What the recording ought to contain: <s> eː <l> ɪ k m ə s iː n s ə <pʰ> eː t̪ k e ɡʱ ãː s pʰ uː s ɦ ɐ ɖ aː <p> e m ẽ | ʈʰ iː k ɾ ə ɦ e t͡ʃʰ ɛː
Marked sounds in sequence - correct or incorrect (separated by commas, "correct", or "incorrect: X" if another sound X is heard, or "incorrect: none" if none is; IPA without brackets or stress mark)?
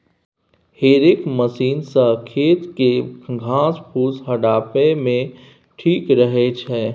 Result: incorrect: h, incorrect: ɾ, incorrect: kʰ, correct